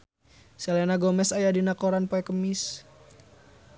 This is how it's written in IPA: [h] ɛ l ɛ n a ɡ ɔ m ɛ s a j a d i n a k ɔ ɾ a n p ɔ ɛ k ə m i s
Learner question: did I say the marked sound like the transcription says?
no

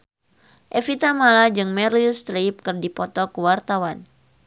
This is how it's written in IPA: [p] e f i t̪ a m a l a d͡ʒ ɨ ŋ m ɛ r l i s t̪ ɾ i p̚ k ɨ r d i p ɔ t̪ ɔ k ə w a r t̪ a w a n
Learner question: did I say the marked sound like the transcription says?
no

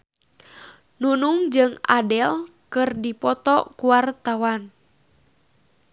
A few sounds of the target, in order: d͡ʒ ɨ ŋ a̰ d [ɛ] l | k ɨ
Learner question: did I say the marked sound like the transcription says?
yes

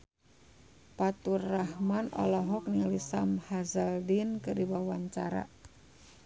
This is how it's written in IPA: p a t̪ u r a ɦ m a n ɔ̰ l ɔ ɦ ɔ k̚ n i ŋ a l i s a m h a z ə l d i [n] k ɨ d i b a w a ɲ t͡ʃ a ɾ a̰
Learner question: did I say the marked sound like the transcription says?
yes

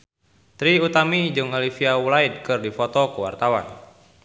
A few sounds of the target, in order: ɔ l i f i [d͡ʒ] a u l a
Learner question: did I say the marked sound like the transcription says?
no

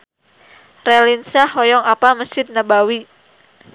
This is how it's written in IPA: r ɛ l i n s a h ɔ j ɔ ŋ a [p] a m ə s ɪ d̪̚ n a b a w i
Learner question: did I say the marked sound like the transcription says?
yes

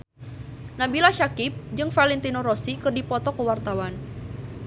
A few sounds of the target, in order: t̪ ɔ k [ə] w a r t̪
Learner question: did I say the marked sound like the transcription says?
yes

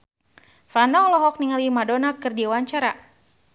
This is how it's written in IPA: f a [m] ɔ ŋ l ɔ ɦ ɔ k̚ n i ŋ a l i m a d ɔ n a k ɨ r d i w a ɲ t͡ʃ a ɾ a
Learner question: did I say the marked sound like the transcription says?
no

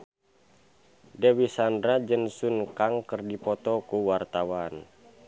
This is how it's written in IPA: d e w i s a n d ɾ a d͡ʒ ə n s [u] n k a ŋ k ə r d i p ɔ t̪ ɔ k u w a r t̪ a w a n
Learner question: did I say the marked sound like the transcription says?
yes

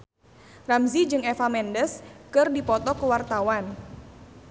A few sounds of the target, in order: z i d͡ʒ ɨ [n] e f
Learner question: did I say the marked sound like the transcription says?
no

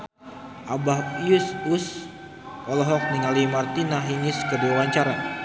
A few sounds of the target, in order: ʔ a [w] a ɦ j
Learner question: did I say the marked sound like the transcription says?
no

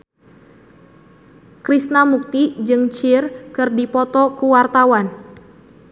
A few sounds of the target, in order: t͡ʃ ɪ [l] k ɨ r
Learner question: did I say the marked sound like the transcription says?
no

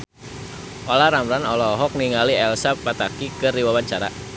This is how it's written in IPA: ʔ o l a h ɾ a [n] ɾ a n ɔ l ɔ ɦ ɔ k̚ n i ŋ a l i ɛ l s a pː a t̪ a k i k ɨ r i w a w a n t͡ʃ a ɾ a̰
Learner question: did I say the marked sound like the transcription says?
no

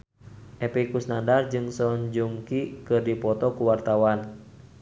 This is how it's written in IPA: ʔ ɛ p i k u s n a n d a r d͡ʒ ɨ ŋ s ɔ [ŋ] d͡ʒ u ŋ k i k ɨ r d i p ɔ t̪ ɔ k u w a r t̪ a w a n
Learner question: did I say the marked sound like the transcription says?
no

